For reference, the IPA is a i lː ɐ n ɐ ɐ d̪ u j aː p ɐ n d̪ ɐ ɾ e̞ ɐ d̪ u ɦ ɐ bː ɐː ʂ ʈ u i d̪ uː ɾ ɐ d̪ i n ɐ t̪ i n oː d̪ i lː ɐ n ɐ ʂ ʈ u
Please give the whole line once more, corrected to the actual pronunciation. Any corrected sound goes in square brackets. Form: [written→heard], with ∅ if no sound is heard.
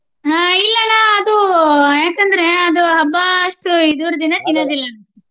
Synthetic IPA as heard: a i lː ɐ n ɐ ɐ d̪ u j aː [p→k] ɐ n d̪ ɐ ɾ e̞ ɐ d̪ u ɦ ɐ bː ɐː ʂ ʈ u i d̪ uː ɾ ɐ d̪ i n ɐ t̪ i n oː d̪ i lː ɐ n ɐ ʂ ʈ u

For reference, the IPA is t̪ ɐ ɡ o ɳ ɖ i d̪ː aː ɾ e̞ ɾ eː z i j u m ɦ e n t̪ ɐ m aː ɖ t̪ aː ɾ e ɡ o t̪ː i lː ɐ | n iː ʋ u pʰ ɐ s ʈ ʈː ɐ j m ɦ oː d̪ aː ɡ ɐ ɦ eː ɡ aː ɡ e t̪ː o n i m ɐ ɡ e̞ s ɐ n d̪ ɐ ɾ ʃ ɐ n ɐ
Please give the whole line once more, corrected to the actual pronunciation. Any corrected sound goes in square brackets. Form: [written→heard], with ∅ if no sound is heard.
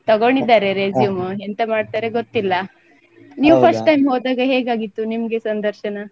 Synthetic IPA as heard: t̪ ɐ ɡ o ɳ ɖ i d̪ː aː ɾ e̞ ɾ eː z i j u m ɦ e n t̪ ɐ m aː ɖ t̪ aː ɾ e ɡ o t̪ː i lː ɐ | n iː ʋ u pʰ ɐ s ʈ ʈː ɐ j m ɦ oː d̪ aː ɡ ɐ ɦ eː ɡ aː ɡ [e→i] t̪ː [o→u] n i m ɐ ɡ e̞ s ɐ n d̪ ɐ ɾ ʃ ɐ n ɐ

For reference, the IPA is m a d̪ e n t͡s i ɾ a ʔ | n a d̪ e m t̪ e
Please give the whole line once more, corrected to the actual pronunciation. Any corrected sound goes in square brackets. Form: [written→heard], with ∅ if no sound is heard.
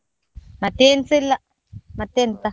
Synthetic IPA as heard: m a [d̪→t̪] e n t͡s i [ɾ→l] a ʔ | [n→m] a [d̪→t̪] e [m→n] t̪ [e→a]

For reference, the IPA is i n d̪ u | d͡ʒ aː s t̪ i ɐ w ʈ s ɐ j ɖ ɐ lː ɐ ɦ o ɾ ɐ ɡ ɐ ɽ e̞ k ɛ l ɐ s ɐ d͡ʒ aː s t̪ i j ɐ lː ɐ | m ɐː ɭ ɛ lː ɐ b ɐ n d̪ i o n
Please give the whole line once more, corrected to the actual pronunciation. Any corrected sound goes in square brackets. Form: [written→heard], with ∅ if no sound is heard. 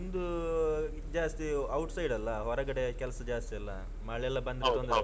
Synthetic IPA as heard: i n d̪ u | d͡ʒ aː s t̪ i ɐ w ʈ s ɐ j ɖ ɐ lː ɐ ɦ [o→ɔ] ɾ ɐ ɡ ɐ ɽ e̞ k ɛ l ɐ s ɐ d͡ʒ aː s t̪ i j ɐ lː ɐ | m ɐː ɭ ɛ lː ɐ b ɐ n d̪ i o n

